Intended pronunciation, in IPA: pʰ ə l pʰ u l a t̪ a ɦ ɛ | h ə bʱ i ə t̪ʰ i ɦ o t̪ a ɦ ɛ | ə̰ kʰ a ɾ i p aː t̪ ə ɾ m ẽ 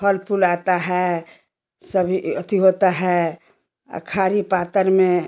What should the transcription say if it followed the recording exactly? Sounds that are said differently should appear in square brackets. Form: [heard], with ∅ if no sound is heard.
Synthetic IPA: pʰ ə l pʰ u l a t̪ a ɦ ɛ | [s] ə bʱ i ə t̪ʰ i ɦ o t̪ a ɦ ɛ | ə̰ kʰ a ɾ i p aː t̪ ə ɾ m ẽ

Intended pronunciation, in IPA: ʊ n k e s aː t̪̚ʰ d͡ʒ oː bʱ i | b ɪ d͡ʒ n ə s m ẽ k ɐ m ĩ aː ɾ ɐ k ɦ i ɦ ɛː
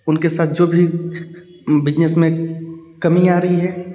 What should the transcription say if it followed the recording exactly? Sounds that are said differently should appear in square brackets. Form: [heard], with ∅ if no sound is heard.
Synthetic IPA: ʊ n k e s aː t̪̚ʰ d͡ʒ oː bʱ i | b ɪ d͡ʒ n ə s m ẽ k ɐ m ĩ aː ɾ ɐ [∅] ɦ i ɦ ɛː

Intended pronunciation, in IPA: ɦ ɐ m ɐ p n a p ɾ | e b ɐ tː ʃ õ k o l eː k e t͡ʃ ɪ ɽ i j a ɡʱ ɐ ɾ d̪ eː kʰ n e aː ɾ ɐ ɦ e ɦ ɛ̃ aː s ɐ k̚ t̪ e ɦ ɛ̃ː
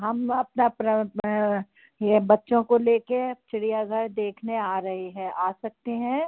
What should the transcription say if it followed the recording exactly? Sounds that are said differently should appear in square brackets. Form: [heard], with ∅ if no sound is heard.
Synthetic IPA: ɦ ɐ m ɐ p n a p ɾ | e b ɐ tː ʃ õ k o l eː k e t͡ʃ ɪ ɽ i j a ɡʱ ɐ ɾ d̪ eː kʰ n e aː ɾ ɐ ɦ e ɦ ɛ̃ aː s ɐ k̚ t̪ e ɦ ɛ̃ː

